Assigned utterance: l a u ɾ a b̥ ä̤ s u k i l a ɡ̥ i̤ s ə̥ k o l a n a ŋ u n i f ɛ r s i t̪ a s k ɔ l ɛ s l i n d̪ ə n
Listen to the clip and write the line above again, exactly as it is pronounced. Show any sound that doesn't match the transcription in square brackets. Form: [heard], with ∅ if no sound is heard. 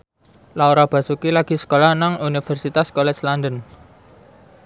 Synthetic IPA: l a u ɾ a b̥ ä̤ s u k i l a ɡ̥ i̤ s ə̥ k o l a n a ŋ u n i f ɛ r s i t̪ a s k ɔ l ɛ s l [a] n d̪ ə n